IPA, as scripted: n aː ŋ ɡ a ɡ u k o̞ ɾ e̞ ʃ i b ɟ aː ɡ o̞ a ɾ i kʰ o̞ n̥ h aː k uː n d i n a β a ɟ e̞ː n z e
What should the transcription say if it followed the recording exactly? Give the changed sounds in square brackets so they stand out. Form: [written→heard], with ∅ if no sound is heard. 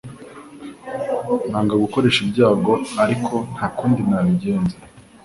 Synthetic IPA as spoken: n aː ŋ ɡ a ɡ u k o̞ ɾ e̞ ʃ i b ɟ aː ɡ o̞ a ɾ i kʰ o̞ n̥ h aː k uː n d i n a β [a→i] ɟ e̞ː n z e